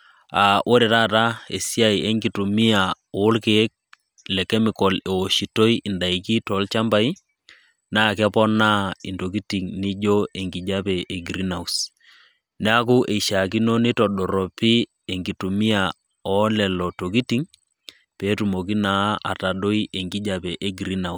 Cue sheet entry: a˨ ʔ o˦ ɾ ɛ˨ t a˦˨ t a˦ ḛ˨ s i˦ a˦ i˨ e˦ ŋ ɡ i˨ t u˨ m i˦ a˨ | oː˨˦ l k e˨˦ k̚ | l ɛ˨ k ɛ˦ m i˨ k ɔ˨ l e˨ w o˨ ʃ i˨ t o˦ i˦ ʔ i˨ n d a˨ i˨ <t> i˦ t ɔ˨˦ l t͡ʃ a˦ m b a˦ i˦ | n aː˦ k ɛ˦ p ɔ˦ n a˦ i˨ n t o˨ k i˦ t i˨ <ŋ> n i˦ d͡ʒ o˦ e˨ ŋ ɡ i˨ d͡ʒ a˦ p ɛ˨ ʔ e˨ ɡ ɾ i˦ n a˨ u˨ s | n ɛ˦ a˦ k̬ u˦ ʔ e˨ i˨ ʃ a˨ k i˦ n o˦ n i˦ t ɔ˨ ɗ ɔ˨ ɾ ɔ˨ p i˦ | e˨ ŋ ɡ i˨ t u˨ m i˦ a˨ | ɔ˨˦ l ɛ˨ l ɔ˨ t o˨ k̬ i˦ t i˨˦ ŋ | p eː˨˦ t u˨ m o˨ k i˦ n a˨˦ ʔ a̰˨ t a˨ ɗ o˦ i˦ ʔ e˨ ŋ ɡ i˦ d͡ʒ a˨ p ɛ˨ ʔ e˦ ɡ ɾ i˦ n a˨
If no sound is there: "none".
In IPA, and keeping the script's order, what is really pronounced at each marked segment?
k, ŋ

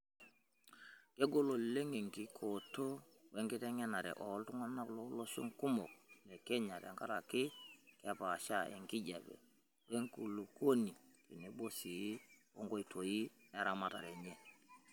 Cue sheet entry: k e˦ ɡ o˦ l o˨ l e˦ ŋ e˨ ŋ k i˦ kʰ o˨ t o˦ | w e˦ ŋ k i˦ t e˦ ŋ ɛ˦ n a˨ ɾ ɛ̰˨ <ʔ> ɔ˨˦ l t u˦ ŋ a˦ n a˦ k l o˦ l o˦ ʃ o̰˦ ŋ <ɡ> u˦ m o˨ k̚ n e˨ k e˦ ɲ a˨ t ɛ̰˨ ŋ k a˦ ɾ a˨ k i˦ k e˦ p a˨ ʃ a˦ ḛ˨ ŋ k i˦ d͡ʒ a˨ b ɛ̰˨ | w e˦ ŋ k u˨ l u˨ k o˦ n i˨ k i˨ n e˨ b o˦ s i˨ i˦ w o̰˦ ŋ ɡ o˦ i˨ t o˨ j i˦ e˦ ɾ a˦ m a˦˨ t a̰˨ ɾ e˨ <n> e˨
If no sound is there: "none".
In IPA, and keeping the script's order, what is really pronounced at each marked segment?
ʔ, k, ɲ

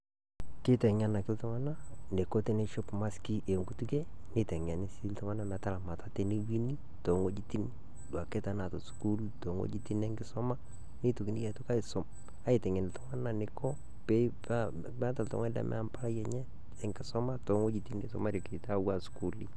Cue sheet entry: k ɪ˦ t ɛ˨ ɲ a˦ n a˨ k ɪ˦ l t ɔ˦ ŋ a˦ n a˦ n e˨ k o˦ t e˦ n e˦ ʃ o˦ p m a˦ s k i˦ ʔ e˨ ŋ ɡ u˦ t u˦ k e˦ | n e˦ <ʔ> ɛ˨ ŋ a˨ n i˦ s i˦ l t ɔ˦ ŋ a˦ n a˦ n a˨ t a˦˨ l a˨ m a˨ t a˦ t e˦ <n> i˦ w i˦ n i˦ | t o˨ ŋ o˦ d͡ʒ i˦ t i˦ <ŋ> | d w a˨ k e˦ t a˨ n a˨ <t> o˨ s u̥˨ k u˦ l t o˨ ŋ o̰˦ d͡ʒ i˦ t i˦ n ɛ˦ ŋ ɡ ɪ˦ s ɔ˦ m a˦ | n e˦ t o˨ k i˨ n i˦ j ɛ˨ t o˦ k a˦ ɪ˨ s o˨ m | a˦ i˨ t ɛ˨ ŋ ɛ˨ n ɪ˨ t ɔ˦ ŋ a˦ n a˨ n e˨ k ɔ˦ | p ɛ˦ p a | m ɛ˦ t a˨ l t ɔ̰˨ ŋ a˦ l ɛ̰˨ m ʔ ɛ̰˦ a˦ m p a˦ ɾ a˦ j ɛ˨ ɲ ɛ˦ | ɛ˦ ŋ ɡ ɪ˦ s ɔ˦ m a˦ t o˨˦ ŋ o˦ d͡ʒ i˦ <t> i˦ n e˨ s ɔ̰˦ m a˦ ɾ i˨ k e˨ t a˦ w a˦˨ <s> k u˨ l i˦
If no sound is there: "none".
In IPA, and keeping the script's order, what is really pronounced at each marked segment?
t, n, n, t, t, s

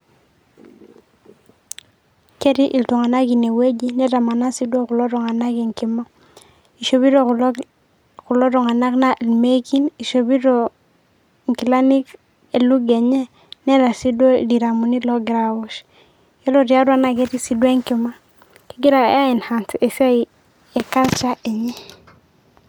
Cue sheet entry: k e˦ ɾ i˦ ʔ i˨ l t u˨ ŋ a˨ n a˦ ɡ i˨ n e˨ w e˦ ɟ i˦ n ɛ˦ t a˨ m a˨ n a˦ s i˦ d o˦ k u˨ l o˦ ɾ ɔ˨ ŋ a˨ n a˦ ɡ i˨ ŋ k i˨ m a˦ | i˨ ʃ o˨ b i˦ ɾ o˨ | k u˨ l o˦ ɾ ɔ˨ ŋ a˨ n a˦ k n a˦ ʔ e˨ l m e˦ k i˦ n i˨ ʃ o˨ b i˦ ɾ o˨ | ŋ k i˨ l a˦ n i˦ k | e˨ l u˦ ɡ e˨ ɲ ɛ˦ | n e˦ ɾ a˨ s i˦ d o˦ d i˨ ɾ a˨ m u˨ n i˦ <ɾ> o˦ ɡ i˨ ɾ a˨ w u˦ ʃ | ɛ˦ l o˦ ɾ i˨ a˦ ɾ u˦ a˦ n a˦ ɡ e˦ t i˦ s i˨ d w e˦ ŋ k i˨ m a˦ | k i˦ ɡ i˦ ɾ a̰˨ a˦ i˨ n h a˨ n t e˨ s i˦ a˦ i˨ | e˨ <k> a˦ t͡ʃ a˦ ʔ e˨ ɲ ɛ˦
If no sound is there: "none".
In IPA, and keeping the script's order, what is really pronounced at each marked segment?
l, k

